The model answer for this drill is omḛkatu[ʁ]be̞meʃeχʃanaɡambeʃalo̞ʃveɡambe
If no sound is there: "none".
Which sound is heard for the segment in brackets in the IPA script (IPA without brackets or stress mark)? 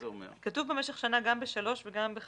v